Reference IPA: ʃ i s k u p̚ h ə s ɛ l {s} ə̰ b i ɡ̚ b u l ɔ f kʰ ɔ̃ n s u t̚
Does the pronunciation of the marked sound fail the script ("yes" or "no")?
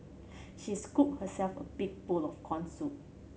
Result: yes